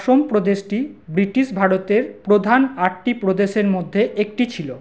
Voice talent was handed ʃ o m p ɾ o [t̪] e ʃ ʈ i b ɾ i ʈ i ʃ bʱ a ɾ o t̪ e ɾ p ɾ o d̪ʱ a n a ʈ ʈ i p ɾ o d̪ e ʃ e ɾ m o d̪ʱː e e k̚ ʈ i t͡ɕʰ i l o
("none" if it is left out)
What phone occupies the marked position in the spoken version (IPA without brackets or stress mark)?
d̪